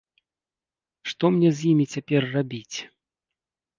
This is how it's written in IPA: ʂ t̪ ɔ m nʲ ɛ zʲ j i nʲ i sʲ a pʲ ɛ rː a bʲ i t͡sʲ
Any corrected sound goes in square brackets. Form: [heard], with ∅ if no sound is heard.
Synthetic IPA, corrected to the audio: ʂ t̪ ɔ m nʲ ɛ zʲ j i [mʲ] i [t͡sʲ] a pʲ ɛ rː a bʲ i t͡sʲ